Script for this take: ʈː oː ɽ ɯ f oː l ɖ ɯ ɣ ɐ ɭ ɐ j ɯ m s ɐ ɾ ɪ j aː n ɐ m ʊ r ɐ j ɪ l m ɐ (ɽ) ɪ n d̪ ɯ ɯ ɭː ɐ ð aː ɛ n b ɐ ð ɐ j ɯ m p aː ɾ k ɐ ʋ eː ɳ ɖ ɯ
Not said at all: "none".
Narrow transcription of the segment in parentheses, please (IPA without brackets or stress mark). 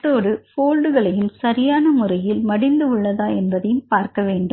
ɽ